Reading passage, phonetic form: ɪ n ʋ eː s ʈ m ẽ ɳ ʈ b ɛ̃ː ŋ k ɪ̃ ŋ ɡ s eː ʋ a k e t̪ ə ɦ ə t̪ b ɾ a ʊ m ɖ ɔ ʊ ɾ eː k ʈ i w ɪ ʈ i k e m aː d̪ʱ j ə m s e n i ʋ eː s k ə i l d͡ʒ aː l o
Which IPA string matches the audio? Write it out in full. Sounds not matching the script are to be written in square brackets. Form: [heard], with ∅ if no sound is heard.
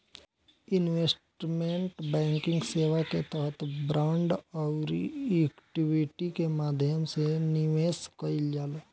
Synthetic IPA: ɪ n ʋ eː s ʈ m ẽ ɳ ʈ b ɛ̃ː ŋ k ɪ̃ ŋ ɡ s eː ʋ a k e t̪ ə ɦ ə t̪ b ɾ a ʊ [ɳ] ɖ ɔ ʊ ɾ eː k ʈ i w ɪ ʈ i k e m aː d̪ʱ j ə m s e n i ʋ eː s k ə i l d͡ʒ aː l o